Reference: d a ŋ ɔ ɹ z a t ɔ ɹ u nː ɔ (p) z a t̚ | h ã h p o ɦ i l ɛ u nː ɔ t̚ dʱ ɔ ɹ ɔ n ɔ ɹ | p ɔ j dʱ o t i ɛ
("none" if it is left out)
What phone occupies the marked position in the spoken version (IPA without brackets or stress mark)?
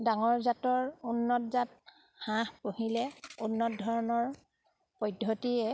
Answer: t